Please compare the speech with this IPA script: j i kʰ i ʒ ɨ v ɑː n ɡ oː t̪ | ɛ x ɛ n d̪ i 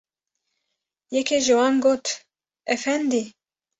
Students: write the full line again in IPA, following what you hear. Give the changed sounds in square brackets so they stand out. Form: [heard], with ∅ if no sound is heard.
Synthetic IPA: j [ɛ] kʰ [e] ʒ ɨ [w] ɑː n ɡ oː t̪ | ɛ [f] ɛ n d̪ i